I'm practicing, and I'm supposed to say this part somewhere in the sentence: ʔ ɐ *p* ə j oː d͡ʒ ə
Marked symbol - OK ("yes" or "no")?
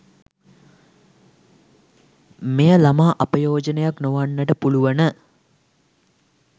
yes